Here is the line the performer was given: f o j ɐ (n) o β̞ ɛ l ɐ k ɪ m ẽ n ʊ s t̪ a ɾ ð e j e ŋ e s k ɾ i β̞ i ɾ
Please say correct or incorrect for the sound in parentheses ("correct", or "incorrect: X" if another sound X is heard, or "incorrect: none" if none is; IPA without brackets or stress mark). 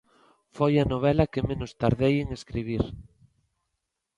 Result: correct